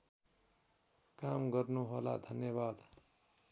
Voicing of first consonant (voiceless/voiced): voiceless